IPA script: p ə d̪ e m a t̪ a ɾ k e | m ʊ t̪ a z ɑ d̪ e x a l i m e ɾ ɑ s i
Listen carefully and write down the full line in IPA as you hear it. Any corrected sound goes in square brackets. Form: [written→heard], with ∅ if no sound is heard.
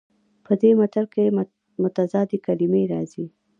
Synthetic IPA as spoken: p ə d̪ e m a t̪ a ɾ k e | m ʊ t̪ a z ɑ d̪ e [x→k] a l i m e ɾ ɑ [s→z] i